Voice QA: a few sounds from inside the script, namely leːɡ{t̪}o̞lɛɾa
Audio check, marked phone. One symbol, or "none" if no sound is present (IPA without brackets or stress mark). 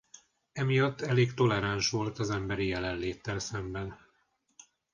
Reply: t̪